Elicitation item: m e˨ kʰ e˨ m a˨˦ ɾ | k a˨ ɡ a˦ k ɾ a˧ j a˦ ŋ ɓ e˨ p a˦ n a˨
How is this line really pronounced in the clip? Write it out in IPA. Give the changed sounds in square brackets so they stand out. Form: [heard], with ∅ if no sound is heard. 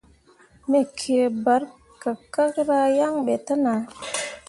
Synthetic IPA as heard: m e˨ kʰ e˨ [b] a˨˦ ɾ | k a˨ [k] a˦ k ɾ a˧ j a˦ ŋ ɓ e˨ [t] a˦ n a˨